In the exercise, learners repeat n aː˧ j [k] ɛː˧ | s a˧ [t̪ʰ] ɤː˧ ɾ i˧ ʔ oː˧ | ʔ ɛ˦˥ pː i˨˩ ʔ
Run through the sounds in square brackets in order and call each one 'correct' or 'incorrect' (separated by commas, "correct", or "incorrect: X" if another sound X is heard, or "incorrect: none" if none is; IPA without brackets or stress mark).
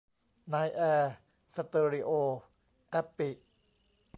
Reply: incorrect: ʔ, incorrect: t̪